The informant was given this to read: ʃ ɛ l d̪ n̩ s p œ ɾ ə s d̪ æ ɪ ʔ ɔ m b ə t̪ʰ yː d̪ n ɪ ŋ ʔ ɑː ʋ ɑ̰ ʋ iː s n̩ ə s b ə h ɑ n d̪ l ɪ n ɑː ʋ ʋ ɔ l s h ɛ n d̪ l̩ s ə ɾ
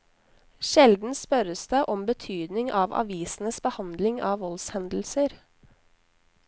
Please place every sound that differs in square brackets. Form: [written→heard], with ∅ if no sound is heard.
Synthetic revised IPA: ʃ ɛ l d̪ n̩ s p œ ɾ ə s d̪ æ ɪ ʔ ɔ m b ə t̪ʰ yː d̪ n ɪ ŋ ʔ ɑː ʋ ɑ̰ ʋ iː s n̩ ə s b ə h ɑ n d̪ l ɪ [n→ŋ] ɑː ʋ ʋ ɔ l s h ɛ n d̪ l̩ s ə ɾ